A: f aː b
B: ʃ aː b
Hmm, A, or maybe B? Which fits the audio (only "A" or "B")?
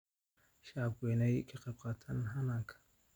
B